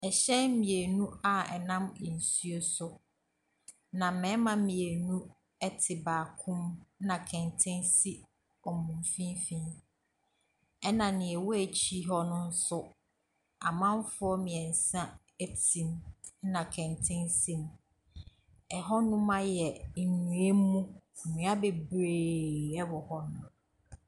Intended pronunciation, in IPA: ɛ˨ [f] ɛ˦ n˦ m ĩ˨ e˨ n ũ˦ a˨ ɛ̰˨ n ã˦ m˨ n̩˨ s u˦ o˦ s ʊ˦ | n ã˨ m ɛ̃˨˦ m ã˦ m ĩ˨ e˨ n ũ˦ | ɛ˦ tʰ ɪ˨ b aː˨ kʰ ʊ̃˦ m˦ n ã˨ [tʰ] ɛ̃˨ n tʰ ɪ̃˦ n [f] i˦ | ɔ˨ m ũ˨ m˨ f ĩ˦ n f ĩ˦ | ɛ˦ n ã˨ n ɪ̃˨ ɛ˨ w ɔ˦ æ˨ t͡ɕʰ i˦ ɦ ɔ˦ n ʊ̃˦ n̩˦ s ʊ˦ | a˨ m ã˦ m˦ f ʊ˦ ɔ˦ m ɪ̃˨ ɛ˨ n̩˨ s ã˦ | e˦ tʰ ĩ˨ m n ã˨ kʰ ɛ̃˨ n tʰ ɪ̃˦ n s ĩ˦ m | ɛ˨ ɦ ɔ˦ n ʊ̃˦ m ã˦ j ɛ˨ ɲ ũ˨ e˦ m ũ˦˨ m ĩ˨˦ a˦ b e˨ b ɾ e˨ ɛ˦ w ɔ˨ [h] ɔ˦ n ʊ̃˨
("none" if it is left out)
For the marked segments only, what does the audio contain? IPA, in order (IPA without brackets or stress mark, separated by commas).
ɕ, kʰ, s, h